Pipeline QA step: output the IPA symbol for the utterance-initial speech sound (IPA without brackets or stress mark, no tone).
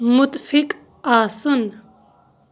m